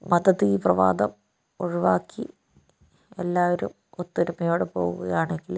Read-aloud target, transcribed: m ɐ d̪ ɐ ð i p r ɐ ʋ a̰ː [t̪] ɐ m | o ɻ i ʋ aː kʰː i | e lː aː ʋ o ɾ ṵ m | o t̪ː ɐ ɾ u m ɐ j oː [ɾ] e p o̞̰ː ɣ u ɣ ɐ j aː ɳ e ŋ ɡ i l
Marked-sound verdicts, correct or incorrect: incorrect, incorrect

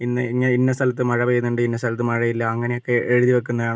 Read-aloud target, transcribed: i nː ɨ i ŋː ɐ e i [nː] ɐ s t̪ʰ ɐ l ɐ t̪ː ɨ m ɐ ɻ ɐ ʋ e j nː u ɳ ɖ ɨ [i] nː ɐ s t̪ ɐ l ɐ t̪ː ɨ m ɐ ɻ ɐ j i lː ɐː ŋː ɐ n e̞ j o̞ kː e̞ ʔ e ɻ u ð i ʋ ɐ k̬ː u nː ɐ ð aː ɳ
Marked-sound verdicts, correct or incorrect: correct, correct

